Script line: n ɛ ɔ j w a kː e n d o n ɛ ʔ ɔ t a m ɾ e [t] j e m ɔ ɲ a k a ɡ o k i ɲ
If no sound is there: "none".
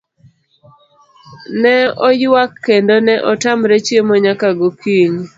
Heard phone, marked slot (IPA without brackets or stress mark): t͡ʃ